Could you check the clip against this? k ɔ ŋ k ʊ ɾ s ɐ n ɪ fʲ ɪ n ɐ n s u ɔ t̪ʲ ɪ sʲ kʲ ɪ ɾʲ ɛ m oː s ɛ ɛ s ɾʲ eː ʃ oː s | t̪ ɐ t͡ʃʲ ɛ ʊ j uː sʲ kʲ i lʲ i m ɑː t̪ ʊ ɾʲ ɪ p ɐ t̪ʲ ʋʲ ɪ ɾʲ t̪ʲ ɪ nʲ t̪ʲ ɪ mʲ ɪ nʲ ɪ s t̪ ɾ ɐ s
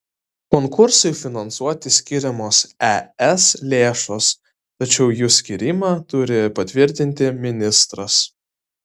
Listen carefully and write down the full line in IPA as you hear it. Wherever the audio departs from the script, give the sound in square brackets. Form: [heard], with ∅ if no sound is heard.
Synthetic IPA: k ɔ ŋ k ʊ ɾ s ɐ [∅] ɪ fʲ ɪ n ɐ n s u ɔ t̪ʲ ɪ sʲ kʲ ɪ ɾʲ ɛ m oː s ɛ ɛ s [lʲ] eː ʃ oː s | t̪ ɐ t͡ʃʲ ɛ ʊ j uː sʲ kʲ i [ɾʲ] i m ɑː t̪ ʊ ɾʲ ɪ p ɐ t̪ʲ ʋʲ ɪ ɾʲ t̪ʲ ɪ nʲ t̪ʲ ɪ mʲ ɪ nʲ ɪ s t̪ ɾ ɐ s